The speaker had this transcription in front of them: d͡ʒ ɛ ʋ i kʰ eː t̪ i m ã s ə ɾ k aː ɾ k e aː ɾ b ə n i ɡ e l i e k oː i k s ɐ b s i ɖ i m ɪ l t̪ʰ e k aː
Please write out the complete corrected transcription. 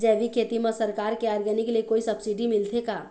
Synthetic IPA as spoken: d͡ʒ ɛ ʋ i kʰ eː t̪ i m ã s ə ɾ k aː ɾ k e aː ɾ ɡ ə n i k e l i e k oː i s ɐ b s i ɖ i m ɪ l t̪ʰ e k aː

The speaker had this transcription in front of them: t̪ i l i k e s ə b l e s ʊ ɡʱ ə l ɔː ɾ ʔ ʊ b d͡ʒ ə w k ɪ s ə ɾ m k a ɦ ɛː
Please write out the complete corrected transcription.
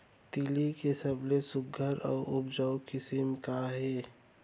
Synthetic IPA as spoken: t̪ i l i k e s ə b l e s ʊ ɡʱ ə ɾ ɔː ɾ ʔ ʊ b d͡ʒ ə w k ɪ s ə m k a ɦ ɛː

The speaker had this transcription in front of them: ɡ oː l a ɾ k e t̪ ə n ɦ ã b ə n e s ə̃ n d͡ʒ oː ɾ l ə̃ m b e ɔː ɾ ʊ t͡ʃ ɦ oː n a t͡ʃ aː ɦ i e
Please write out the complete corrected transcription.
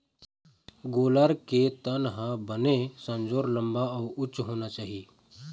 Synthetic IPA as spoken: ɡ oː l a ɾ k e t̪ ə n ɦ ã b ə n e s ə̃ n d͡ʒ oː ɾ l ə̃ m b a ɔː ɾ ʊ t͡ʃ ɦ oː n a t͡ʃ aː ɦ i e

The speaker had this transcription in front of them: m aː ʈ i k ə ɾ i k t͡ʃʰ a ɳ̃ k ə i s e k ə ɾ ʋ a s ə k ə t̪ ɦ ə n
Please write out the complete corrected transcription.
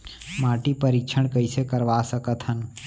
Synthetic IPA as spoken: m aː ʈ i p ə ɾ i k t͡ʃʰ ə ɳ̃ k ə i s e k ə ɾ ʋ a s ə k ə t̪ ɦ ə n

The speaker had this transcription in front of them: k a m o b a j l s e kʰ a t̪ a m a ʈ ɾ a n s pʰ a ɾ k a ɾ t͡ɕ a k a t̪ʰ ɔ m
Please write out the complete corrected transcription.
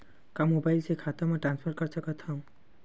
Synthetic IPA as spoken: k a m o b a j l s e kʰ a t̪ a m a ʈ ɾ a n s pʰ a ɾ k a ɾ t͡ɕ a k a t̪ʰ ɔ m

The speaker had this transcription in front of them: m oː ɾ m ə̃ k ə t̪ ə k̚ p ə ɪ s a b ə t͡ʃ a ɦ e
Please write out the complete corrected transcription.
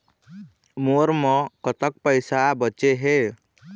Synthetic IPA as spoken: m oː ɾ m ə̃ k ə t̪ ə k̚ p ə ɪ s a b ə t͡ʃ e ɦ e

